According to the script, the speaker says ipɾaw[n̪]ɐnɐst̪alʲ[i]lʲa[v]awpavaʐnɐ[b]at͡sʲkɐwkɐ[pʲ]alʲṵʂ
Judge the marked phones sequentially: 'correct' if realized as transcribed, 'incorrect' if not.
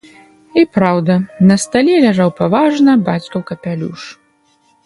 incorrect: d̪, incorrect: ɛ, incorrect: ʐ, correct, correct

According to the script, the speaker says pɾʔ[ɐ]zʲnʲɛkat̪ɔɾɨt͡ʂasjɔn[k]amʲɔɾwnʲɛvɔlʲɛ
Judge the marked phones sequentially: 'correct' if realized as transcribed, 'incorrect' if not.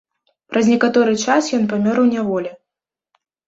correct, incorrect: p

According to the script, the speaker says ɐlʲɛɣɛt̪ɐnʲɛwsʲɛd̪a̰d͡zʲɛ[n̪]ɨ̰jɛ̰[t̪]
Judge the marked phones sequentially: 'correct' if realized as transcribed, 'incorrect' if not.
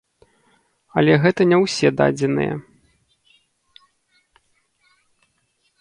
correct, incorrect: none

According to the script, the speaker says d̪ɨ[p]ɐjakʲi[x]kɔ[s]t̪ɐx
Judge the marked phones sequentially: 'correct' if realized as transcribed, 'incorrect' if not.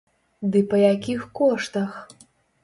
correct, correct, incorrect: ʂ

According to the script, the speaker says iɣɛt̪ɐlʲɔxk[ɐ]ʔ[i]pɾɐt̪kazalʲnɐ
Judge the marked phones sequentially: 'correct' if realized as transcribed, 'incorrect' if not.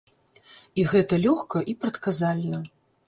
correct, correct

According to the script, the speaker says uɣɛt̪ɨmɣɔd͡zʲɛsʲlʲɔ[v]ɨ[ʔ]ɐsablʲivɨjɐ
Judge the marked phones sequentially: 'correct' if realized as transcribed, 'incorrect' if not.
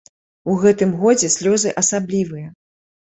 incorrect: z, correct

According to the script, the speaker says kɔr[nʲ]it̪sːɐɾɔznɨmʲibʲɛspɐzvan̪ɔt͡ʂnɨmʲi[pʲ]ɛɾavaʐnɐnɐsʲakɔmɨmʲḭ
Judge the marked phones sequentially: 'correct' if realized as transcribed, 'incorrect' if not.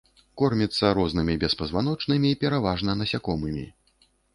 incorrect: mʲ, correct

